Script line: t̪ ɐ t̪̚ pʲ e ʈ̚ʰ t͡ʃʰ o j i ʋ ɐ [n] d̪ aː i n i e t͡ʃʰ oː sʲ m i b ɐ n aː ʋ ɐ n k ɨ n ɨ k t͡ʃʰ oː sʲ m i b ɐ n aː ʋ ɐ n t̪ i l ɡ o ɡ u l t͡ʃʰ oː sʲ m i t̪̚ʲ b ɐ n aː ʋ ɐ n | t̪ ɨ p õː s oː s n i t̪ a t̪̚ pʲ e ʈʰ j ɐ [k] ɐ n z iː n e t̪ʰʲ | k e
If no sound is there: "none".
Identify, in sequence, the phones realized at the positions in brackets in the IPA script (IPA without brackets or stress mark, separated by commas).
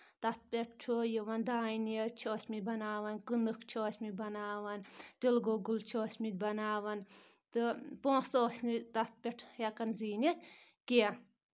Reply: n, k